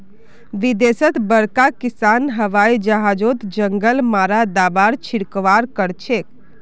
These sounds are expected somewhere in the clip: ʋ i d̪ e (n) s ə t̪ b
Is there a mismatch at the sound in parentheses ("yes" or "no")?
yes